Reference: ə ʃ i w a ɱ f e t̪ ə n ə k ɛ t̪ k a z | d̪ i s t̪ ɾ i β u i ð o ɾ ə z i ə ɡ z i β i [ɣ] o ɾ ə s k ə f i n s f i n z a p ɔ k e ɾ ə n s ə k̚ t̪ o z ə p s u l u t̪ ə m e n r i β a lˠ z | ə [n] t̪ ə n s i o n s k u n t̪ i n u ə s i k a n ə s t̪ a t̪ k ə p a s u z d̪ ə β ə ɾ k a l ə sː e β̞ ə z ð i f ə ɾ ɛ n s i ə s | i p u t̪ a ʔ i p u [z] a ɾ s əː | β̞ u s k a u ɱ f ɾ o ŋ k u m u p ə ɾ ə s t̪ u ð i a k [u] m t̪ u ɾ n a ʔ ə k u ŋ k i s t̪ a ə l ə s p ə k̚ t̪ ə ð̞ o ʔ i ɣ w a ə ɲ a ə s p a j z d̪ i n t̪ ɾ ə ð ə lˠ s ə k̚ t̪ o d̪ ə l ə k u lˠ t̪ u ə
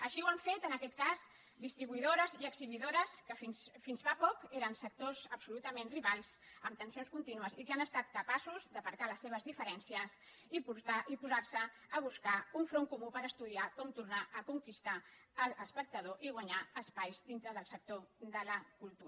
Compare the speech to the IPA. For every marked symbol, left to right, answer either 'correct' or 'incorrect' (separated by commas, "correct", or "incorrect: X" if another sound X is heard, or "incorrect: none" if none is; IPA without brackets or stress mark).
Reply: incorrect: ð, incorrect: m, correct, incorrect: ɔ